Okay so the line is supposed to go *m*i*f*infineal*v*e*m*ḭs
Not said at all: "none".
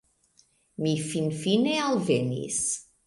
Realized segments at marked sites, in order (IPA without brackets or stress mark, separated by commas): m, f, v, n